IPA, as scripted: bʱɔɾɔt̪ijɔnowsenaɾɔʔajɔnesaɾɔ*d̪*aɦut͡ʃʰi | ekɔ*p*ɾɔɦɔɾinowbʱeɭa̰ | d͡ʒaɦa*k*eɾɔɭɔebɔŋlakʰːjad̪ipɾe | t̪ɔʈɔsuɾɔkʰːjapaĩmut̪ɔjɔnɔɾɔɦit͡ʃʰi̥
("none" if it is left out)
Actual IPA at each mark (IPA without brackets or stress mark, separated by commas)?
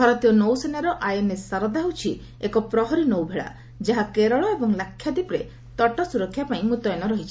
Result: d̪, p, k